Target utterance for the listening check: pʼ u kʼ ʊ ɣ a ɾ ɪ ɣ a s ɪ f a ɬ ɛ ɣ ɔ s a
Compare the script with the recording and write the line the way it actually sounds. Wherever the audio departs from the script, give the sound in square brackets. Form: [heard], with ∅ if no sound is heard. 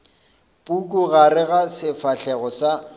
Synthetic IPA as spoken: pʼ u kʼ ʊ ɣ a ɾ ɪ ɣ a s ɪ f a ɬ ɛ ɣ ɔ s a